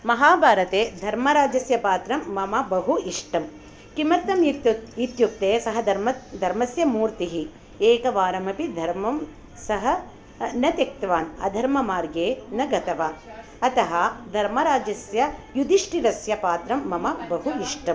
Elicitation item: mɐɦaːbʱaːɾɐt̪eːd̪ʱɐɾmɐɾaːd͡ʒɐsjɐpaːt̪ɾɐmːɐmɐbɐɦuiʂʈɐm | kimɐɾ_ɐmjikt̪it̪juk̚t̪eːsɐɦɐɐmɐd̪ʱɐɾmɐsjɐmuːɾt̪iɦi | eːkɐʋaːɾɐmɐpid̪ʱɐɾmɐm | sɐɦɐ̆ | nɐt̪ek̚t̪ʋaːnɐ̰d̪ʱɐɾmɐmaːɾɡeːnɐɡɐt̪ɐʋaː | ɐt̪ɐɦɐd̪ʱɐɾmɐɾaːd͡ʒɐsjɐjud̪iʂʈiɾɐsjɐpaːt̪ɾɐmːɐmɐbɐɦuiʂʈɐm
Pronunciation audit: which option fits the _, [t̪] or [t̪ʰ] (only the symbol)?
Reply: t̪